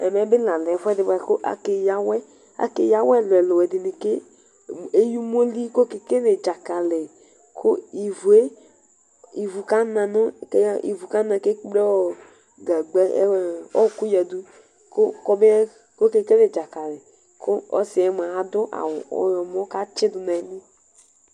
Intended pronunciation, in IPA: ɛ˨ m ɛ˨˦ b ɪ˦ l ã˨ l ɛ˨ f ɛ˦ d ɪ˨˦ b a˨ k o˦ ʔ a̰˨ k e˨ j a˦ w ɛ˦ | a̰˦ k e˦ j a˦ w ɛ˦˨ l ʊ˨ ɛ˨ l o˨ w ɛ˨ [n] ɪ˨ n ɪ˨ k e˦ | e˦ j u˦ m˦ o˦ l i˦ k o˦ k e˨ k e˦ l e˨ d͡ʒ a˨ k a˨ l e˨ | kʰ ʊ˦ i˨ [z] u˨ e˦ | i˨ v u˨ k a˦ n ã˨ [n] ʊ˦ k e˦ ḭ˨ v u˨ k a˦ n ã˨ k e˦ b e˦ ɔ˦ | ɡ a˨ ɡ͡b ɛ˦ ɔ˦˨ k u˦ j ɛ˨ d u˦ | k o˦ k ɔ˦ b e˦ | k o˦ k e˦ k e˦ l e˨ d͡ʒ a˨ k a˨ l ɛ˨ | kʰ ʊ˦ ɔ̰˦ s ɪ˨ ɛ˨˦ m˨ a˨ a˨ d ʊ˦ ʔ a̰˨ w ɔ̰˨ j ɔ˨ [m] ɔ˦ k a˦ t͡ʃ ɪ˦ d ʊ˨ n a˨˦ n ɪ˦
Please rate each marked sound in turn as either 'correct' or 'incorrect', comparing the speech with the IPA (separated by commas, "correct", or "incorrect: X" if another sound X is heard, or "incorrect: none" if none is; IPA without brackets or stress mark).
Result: incorrect: d, incorrect: v, correct, correct